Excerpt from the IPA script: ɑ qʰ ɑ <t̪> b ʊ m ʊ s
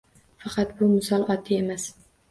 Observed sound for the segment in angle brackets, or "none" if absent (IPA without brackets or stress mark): t̪